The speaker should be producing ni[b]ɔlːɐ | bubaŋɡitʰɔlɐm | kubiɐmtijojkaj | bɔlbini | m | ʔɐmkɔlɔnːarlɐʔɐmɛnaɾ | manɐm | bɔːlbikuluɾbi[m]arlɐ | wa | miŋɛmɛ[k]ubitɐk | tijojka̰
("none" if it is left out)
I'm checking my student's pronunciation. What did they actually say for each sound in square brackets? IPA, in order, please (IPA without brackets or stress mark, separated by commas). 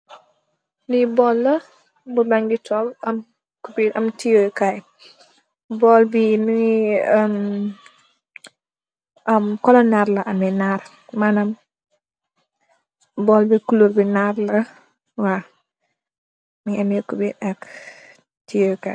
b, n, k